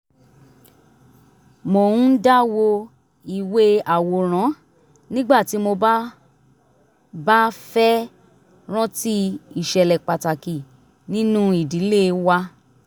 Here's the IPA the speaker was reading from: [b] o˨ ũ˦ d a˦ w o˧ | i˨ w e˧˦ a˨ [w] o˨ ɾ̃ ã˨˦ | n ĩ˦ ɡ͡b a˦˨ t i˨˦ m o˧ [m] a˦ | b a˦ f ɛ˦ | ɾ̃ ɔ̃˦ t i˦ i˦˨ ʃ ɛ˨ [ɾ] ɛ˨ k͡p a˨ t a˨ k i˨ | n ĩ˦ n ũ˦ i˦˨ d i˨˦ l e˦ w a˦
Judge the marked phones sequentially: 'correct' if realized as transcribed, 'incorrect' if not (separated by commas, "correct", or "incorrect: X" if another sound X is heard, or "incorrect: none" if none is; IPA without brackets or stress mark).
incorrect: m, correct, incorrect: b, incorrect: l